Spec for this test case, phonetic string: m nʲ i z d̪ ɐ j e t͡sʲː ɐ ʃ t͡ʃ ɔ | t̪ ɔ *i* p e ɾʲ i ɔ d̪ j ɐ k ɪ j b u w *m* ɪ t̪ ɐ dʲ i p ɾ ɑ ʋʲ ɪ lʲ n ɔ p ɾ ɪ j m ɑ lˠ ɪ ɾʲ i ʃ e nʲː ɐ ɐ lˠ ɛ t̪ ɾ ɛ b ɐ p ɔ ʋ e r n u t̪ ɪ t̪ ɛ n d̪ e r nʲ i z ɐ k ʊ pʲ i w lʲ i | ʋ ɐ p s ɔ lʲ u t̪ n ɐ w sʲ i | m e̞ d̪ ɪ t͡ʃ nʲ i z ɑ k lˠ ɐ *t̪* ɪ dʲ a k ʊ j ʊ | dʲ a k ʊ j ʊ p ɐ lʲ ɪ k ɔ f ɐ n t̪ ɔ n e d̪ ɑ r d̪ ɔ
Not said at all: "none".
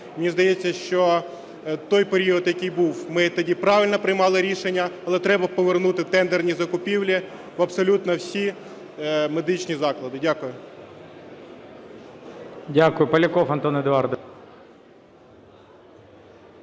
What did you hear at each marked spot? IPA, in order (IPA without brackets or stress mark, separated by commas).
j, m, d̪